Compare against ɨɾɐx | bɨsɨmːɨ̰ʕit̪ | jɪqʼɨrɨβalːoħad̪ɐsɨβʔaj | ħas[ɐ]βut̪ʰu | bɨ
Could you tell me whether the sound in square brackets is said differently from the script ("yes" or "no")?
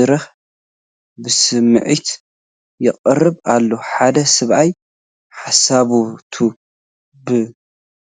yes